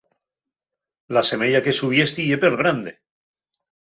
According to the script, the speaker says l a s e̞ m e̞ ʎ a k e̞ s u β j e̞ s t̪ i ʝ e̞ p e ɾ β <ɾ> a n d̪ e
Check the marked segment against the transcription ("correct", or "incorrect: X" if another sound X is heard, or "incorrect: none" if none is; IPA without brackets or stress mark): correct